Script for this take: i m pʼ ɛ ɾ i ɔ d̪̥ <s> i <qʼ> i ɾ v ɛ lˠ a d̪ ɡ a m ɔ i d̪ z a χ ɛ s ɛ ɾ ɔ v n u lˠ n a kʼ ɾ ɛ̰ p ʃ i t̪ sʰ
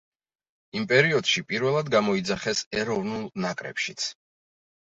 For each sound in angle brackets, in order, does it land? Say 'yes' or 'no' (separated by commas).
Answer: no, no